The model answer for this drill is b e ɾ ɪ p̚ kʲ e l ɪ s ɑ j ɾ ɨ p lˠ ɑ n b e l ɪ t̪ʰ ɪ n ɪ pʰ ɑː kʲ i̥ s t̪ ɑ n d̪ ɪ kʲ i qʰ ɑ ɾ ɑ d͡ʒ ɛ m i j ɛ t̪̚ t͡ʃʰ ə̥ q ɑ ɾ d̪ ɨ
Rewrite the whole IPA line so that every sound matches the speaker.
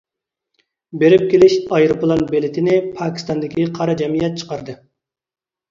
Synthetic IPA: b e ɾ ɪ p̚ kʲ e l ɪ ʃ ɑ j ɾ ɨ p lˠ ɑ n b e l ɪ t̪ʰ ɪ n ɪ pʰ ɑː kʲ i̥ s t̪ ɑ n d̪ ɪ kʲ i qʰ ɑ ɾ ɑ d͡ʒ ɛ m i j ɛ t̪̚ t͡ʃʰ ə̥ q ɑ ɾ d̪ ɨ